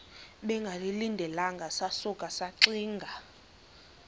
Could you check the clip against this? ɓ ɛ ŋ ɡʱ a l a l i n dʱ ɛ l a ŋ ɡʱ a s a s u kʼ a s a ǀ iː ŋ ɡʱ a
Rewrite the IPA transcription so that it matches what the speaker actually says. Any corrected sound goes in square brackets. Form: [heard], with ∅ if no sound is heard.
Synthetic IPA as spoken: ɓ ɛ ŋ ɡʱ a l [i] l i n dʱ ɛ l a ŋ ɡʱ a s a s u kʼ a s a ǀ iː ŋ ɡʱ a